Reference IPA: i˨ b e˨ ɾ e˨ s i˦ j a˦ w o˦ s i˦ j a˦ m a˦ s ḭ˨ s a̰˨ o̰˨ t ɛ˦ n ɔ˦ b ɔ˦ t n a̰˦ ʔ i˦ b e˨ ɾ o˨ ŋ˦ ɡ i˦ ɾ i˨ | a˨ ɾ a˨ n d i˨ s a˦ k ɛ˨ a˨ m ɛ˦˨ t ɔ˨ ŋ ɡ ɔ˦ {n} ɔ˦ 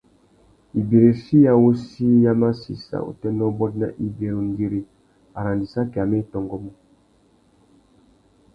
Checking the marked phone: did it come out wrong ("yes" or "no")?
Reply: yes